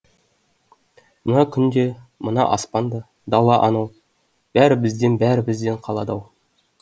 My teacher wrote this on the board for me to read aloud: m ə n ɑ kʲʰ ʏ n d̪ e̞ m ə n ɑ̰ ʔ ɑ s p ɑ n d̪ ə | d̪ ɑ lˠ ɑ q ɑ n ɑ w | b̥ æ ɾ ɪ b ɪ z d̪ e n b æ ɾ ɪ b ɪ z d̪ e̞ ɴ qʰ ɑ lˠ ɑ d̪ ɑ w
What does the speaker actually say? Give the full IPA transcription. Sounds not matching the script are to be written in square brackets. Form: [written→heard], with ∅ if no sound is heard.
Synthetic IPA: m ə n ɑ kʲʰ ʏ n d̪ e̞ m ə n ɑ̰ ʔ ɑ s p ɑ n d̪ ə | d̪ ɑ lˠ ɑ [q→ʔ] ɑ n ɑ w | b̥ æ ɾ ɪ b ɪ z d̪ e n b æ ɾ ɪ b ɪ z d̪ e̞ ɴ qʰ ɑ lˠ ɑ d̪ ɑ w